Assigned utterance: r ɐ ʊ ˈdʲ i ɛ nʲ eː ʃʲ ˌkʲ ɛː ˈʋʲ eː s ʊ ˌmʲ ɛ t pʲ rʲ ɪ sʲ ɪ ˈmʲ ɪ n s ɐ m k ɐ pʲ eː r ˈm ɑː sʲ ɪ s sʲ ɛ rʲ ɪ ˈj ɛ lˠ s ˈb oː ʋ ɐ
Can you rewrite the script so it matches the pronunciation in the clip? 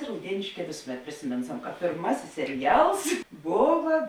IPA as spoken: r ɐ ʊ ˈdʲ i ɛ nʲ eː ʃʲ ˌkʲ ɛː ˈʋʲ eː s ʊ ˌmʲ ɛ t pʲ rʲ ɪ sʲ ɪ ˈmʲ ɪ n s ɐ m k ɐ pʲ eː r ˈm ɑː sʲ ɪ s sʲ ɛ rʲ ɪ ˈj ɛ lˠ s ˈb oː ʋ ɐ